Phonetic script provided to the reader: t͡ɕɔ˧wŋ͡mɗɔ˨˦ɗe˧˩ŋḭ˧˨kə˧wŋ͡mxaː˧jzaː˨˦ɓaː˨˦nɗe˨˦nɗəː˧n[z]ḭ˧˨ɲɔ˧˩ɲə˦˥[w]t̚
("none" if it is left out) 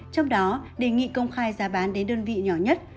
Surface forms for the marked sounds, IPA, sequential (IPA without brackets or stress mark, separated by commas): v, none